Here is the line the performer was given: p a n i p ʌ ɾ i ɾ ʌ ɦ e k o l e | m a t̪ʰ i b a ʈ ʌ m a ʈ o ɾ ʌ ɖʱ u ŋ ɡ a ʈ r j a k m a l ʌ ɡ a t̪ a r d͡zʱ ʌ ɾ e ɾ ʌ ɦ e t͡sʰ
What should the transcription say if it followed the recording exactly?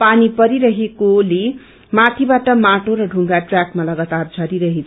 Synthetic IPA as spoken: p a n i p ʌ ɾ i ɾ ʌ ɦ e k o l e | m a t̪ʰ i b a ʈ ʌ m a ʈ o ɾ ʌ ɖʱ u ŋ ɡ a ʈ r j a k m a l ʌ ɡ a t̪ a r d͡zʱ ʌ ɾ i ɾ ʌ ɦ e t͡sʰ